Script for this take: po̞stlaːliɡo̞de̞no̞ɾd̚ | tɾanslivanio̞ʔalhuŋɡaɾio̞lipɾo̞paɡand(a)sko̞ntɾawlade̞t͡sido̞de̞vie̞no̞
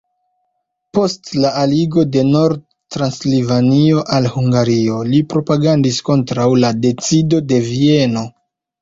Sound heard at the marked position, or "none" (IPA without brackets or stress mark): i